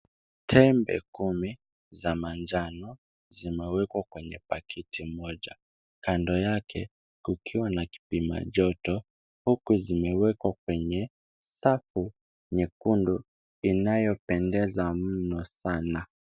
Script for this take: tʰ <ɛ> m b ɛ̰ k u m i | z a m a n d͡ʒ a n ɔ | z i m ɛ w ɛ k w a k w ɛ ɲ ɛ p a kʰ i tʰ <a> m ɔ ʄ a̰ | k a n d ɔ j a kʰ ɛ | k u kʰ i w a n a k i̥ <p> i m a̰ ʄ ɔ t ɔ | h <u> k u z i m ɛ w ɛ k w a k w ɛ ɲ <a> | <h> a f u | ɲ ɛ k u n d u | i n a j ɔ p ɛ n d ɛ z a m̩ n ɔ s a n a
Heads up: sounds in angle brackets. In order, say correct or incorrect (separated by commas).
correct, incorrect, correct, correct, incorrect, incorrect